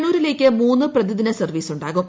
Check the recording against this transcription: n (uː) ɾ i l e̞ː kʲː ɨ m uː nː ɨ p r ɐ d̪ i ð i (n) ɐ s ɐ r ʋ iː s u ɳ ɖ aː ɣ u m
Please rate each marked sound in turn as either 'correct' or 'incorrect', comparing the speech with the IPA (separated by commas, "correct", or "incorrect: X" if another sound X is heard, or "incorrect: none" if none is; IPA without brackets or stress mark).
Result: correct, correct